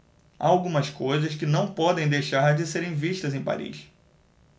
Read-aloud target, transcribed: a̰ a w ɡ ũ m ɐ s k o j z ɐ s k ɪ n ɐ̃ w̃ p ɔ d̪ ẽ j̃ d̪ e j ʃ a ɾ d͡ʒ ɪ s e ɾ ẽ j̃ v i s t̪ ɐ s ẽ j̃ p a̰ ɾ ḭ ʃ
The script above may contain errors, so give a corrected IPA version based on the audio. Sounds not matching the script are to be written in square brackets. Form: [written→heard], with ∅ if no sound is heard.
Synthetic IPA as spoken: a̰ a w ɡ ũ m ɐ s k o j z ɐ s k ɪ n ɐ̃ w̃ p ɔ d̪ ẽ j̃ d̪ e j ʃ a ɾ d͡ʒ ɪ s e ɾ ẽ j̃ v i [s→ʃ] t̪ ɐ [s→z] ẽ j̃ p a̰ ɾ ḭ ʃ